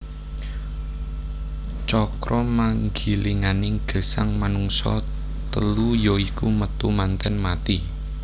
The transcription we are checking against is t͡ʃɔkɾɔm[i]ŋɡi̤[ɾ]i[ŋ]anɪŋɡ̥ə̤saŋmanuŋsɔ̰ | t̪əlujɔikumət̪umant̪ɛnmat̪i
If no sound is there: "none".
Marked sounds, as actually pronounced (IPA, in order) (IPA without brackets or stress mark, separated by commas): a, l, ŋ